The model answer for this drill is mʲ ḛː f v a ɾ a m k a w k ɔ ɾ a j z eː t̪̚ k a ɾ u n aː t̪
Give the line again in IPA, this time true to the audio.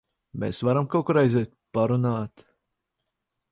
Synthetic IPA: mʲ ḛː s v a ɾ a m k a w k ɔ ɾ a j z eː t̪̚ p a ɾ u n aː t̪